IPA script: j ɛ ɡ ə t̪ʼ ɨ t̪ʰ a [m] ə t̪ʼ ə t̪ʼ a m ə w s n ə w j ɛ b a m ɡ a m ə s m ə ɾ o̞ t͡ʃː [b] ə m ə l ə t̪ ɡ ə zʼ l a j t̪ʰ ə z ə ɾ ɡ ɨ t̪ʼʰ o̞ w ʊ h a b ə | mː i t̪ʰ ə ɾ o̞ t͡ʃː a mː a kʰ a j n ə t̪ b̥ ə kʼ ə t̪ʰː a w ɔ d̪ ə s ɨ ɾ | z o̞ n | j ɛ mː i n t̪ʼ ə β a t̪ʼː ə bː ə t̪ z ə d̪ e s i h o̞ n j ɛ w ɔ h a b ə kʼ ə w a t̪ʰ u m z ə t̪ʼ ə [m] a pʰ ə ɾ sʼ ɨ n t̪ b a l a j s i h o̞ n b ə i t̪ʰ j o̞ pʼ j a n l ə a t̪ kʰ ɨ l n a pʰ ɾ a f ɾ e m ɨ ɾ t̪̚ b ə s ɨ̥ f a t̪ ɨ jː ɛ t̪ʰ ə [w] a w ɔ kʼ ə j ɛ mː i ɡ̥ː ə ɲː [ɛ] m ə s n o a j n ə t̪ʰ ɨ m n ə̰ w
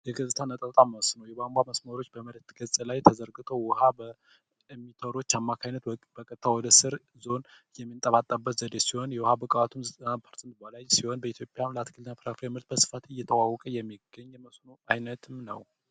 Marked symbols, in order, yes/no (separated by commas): no, yes, no, yes, yes